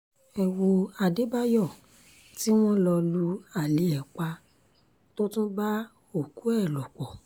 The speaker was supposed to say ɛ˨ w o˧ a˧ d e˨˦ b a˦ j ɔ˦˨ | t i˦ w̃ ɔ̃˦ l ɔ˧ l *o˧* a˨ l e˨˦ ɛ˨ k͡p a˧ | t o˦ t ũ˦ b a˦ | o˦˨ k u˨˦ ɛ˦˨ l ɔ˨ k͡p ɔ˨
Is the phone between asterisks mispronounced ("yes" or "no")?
yes